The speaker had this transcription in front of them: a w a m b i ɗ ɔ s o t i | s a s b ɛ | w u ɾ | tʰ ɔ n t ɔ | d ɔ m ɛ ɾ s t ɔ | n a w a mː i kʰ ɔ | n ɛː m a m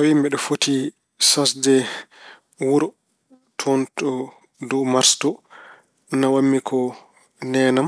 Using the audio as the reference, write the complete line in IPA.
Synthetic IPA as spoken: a w i m b ɛ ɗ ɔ f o t i | s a s d ɛ | w u ɾ | tʰ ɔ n t ɔ | d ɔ m a ɾ s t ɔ | n a w a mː i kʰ ɔ | n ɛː n a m